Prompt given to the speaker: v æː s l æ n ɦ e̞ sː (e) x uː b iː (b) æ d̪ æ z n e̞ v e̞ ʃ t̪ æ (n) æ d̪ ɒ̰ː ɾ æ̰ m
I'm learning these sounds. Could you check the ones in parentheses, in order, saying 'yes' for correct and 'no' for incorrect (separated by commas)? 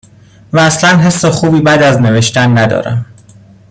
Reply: yes, yes, no